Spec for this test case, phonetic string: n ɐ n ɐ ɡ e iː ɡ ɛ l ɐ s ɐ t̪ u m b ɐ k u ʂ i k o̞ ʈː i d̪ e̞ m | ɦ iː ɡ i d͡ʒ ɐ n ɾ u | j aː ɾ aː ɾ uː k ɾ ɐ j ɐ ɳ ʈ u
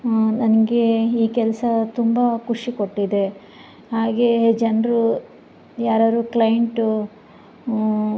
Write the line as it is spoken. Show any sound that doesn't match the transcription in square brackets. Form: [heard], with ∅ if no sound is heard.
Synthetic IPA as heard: n ɐ n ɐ ɡ e iː [k] ɛ l ɐ s ɐ t̪ u m b ɐ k u ʂ i k o̞ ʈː i d̪ e̞ [∅] | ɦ [aː] ɡ [e] d͡ʒ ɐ n ɾ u | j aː ɾ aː ɾ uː k [l] ɐ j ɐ ɳ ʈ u